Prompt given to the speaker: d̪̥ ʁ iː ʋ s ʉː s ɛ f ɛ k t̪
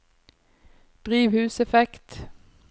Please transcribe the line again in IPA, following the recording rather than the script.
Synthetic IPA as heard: d̪̥ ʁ iː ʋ h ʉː s ɛ f ɛ k t̪